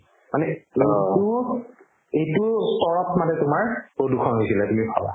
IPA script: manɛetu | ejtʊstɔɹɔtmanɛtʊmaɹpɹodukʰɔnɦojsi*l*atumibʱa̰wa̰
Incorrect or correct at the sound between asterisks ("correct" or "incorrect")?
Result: correct